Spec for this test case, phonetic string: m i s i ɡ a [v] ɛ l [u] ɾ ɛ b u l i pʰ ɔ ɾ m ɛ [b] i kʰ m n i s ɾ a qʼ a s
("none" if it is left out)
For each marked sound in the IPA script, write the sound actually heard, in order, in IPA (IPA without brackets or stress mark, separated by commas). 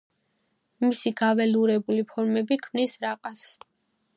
v, u, b